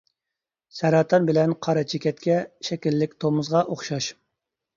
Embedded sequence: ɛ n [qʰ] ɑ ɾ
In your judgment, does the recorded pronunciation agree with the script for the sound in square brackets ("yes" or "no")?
yes